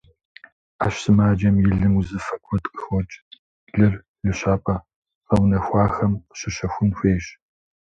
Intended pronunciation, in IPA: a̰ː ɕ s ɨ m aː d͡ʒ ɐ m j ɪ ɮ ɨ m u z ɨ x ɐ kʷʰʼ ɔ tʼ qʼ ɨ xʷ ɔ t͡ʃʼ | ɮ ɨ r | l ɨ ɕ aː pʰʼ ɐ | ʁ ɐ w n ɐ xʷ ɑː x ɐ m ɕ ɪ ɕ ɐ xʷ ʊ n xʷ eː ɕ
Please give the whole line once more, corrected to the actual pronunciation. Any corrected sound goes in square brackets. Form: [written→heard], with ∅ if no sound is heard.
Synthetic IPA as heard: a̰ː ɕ s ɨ m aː d͡ʒ ɐ m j ɪ ɮ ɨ m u z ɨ [x→f] ɐ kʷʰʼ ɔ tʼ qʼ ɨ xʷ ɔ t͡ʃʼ | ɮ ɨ r | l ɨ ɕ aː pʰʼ ɐ | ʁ ɐ w n ɐ xʷ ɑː x ɐ m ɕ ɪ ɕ ɐ xʷ ʊ n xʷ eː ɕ